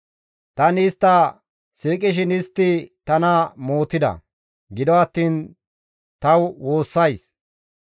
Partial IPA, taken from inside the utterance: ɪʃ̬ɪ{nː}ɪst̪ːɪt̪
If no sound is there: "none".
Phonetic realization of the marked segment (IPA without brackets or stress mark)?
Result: n